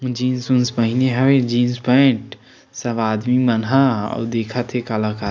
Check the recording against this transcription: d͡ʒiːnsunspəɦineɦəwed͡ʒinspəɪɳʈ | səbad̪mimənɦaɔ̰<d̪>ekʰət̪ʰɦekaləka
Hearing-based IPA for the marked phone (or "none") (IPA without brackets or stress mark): d̪